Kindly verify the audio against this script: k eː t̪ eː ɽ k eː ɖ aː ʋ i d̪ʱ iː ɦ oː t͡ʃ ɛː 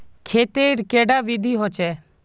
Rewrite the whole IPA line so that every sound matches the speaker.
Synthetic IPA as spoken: kʰ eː t̪ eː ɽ k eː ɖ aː ʋ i d̪ʱ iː ɦ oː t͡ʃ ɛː